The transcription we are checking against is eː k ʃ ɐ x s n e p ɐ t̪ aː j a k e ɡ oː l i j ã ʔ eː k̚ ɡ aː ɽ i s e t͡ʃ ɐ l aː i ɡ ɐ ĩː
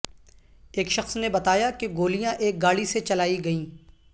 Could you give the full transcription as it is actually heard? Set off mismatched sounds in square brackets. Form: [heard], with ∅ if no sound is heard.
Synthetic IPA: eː k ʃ ɐ x s n e [b] ɐ t̪ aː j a k e ɡ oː l i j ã ʔ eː k̚ ɡ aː ɽ i s e t͡ʃ ɐ l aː i ɡ ɐ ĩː